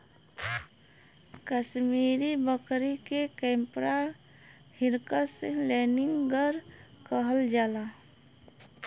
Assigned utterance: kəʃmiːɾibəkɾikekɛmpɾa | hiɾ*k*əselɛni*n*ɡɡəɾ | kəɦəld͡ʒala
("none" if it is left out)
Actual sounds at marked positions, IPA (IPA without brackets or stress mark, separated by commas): k, ŋ